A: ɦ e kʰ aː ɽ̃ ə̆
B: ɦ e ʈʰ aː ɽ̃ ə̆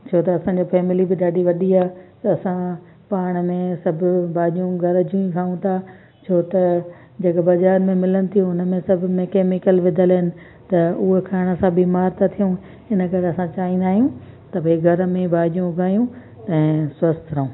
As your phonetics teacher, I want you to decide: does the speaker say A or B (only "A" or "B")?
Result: A